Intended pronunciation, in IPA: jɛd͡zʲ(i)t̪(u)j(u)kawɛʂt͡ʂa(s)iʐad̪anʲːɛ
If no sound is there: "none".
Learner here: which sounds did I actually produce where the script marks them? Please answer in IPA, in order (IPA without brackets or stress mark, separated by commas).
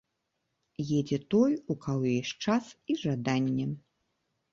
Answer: ɛ, ɔ, u, s